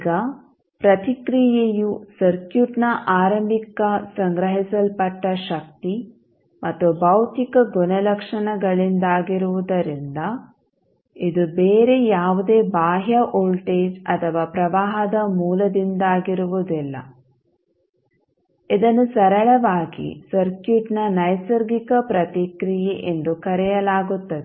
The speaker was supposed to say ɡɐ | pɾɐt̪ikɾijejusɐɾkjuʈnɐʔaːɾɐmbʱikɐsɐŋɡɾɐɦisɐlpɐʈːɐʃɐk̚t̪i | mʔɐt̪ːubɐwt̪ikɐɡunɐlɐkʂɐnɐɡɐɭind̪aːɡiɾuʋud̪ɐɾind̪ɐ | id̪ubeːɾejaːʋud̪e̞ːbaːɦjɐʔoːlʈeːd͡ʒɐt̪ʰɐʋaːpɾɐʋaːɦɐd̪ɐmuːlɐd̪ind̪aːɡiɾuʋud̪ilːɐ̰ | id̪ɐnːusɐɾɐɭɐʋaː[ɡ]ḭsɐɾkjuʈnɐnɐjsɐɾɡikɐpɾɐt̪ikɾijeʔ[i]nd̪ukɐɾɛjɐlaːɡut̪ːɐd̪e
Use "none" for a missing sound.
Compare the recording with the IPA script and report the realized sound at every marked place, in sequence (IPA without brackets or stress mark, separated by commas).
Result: ɡ, e